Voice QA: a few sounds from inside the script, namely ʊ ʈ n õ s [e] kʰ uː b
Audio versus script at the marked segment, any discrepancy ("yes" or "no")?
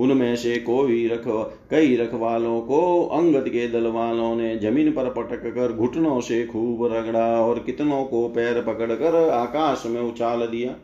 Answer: no